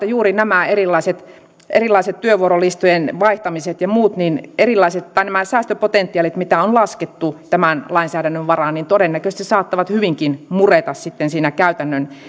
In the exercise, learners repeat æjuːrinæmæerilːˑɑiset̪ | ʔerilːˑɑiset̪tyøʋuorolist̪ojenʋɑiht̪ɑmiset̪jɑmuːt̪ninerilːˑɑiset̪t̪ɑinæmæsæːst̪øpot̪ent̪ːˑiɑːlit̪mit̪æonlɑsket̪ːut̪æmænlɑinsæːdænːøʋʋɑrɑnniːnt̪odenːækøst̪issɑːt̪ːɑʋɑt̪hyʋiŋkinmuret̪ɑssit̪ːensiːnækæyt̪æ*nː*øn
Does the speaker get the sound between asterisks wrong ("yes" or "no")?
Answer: no